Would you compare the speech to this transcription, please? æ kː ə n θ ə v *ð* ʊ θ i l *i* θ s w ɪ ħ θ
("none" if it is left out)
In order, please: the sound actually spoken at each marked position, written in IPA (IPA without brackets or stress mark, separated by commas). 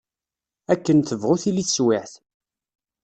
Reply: ʁ, i